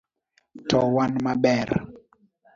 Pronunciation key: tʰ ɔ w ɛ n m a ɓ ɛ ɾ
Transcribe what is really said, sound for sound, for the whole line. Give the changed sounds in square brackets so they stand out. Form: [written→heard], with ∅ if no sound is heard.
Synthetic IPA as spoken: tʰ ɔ w [ɛ→a] n m a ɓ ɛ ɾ